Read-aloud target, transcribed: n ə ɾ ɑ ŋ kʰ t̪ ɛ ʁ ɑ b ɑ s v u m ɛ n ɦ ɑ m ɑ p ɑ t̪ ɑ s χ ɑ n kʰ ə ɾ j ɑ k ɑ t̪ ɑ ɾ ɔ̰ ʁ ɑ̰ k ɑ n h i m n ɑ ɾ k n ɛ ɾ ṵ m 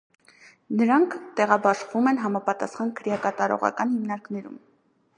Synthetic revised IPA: n ə ɾ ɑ ŋ kʰ t̪ ɛ ʁ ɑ b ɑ ʃ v u m ɛ n ɦ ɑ m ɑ p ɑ t̪ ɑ s χ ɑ n kʰ ə ɾ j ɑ k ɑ t̪ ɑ ɾ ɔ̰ ʁ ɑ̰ k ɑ n h i m n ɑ ɾ k n ɛ ɾ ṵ m